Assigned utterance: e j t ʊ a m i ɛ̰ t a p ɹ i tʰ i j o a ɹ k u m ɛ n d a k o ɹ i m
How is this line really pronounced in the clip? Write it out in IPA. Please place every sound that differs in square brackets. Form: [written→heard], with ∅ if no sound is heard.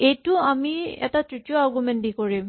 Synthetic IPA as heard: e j t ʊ a m i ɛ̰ t a [p→t] ɹ i [tʰ→t] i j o a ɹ [k→ɡ] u m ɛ n d [a→i] k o ɹ i m